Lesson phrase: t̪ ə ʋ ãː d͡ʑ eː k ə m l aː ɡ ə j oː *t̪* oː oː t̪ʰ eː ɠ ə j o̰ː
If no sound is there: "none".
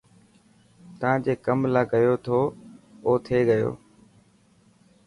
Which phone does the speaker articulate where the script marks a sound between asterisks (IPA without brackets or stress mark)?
t̪ʰ